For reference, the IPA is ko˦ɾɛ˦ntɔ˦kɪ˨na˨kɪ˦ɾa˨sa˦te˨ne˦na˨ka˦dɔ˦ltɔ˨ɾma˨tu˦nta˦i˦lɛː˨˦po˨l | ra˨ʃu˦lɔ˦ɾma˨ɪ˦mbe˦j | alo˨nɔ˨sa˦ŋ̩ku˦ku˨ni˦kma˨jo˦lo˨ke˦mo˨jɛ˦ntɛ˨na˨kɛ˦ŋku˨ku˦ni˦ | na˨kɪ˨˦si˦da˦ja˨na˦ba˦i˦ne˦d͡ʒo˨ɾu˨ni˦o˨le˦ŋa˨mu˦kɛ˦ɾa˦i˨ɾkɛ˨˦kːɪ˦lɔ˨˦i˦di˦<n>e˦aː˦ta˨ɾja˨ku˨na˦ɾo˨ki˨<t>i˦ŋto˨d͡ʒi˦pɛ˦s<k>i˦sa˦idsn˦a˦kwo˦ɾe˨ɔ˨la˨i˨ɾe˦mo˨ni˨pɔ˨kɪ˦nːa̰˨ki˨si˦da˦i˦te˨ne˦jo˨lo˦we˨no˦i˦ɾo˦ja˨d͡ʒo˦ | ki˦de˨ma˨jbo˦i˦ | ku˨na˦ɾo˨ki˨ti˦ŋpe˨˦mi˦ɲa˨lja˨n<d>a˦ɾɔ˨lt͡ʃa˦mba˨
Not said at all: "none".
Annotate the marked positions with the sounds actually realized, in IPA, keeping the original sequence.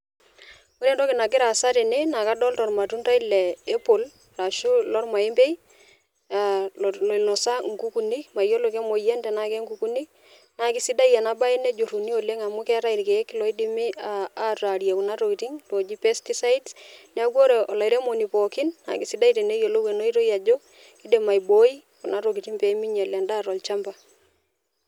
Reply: m, t, t, d

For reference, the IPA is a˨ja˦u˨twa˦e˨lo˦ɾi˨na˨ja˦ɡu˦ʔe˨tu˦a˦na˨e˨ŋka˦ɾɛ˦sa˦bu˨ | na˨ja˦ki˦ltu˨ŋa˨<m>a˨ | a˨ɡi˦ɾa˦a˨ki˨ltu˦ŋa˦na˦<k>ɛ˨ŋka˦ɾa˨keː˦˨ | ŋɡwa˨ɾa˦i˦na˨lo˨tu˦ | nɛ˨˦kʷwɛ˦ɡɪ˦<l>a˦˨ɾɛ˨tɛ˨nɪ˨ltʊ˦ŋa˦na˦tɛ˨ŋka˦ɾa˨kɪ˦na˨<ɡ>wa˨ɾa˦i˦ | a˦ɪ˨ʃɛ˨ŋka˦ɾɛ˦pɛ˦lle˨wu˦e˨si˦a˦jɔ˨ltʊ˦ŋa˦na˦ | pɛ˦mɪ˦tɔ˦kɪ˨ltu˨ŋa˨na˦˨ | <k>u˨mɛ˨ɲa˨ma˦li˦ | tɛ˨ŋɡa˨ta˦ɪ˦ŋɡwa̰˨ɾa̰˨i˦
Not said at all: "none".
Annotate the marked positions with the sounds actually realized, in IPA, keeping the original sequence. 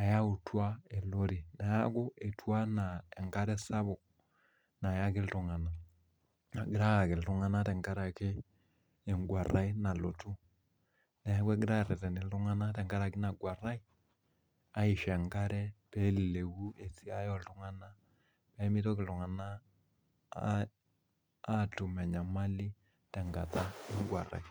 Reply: n, t, ɾ, ɡ, t

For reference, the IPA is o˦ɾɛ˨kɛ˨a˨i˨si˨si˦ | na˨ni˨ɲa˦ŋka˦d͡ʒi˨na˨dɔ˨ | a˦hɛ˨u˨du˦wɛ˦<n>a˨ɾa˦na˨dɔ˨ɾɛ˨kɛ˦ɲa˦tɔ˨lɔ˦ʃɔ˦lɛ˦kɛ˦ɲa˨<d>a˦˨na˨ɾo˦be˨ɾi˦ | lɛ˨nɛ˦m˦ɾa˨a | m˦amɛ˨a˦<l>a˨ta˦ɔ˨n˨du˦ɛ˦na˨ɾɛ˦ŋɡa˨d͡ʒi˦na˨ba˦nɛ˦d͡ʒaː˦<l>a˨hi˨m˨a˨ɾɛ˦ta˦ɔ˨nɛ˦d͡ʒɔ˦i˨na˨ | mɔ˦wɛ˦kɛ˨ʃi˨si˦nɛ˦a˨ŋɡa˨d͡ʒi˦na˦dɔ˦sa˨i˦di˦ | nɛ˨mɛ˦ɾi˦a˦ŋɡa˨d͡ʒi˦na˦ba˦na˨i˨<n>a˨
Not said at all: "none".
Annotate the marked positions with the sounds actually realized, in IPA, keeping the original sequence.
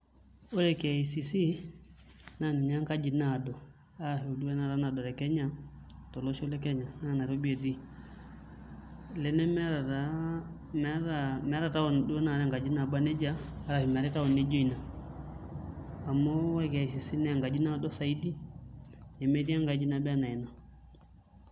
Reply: n, n, ɾ, ɾ, n

